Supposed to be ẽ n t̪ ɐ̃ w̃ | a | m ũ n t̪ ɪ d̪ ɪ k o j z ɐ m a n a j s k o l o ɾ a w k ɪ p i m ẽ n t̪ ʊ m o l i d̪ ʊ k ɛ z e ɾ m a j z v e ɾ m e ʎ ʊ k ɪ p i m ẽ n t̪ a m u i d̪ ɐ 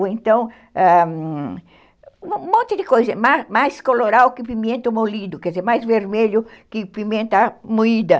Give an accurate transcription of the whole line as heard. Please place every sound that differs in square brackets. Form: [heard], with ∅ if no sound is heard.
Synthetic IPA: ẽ n t̪ ɐ̃ w̃ | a | m [õ] n t̪ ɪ d̪ ɪ k o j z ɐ m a [m] a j s k o l o ɾ a w k ɪ p i m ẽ n t̪ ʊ m o l i d̪ ʊ k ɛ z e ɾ m a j z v e ɾ m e ʎ ʊ k ɪ p i m ẽ n t̪ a m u i d̪ ɐ